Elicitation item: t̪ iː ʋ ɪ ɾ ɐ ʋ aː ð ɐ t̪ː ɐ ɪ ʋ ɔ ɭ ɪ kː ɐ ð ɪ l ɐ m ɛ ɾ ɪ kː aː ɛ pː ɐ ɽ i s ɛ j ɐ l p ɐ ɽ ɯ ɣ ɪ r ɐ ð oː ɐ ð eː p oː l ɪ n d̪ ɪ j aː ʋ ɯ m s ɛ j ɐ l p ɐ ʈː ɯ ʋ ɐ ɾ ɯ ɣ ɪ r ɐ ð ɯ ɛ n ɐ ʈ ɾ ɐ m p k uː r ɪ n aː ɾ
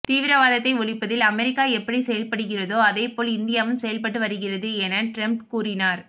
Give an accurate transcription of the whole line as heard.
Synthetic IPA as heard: t̪ iː ʋ ɪ ɾ ɐ ʋ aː ð ɐ t̪ː ɐ ɪ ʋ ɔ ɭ ɪ pː ɐ ð ɪ l ɐ m ɛ ɾ ɪ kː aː ɛ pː ɐ ɽ i s ɛ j ɐ l p ɐ ɽ ɯ ɣ ɪ r ɐ ð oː ɐ ð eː p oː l ɪ n d̪ ɪ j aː ʋ ɯ m s ɛ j ɐ l p ɐ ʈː ɯ ʋ ɐ ɾ ɯ ɣ ɪ r ɐ ð ɯ ɛ n ɐ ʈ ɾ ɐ m p k uː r ɪ n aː ɾ